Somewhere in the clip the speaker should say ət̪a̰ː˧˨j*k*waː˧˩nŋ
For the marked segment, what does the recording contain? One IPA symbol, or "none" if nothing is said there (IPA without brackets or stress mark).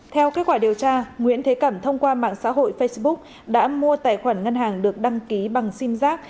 x